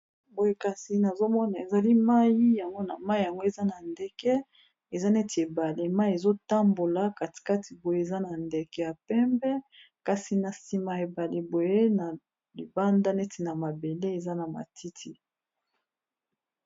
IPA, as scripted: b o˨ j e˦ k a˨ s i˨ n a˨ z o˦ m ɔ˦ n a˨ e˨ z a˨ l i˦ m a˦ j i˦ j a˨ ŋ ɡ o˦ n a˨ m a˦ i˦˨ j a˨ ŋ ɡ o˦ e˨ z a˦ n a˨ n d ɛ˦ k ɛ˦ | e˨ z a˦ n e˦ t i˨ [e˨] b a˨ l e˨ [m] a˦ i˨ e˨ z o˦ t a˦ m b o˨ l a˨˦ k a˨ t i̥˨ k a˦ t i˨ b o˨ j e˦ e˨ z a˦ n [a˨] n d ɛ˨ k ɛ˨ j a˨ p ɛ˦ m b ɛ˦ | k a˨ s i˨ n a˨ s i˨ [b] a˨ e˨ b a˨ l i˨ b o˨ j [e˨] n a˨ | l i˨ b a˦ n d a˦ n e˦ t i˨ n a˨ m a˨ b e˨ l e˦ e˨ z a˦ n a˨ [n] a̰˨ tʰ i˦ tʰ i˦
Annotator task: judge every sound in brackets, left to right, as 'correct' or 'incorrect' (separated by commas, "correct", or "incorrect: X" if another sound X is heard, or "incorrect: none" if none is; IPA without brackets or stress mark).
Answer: correct, correct, correct, incorrect: m, incorrect: e˦, incorrect: m